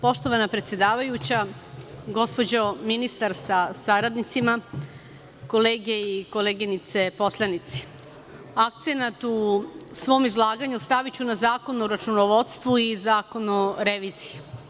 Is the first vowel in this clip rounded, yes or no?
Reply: yes